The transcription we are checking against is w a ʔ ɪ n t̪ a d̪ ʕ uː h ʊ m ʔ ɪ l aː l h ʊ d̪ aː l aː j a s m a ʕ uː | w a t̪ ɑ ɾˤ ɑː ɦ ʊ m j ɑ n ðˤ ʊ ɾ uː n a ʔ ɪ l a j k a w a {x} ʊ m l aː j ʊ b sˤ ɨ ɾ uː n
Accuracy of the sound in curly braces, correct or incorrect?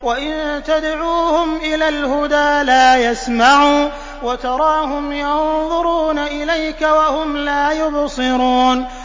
incorrect